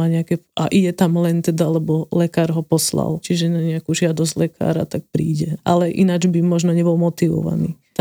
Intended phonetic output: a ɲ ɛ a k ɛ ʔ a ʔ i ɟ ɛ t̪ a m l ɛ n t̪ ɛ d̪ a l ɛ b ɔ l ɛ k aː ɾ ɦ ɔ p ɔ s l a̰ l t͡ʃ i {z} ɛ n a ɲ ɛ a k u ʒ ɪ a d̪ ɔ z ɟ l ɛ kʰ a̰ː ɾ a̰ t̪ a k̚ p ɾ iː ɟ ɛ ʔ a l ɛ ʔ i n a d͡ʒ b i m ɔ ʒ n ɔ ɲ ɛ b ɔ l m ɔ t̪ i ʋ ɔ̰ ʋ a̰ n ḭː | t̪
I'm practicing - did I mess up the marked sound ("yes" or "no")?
yes